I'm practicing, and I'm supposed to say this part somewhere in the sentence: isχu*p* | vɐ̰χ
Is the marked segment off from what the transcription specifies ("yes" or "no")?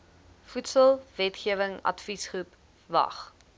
no